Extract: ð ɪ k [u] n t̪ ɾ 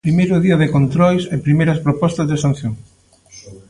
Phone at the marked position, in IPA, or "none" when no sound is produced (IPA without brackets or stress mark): o